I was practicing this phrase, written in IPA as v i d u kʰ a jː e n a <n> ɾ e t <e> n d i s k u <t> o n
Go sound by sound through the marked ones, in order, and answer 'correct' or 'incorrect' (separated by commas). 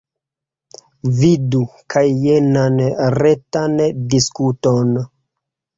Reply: correct, incorrect, correct